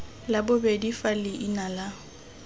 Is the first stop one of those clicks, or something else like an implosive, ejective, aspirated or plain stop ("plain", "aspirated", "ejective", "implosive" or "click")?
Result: plain